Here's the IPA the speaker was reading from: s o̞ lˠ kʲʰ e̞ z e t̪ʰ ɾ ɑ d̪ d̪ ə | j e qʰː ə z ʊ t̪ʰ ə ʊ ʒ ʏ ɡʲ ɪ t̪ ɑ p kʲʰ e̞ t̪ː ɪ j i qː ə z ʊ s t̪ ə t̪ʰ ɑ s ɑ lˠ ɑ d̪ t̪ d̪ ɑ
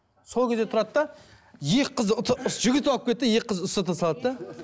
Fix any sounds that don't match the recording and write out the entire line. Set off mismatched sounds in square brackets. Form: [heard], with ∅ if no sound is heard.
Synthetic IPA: s o̞ lˠ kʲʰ e̞ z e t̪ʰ ɾ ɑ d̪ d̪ [ɑ] | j e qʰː ə z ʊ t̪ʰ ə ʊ ʒ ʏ ɡʲ ɪ t̪ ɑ p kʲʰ e̞ t̪ː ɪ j [e] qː ə z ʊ s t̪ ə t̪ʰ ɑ s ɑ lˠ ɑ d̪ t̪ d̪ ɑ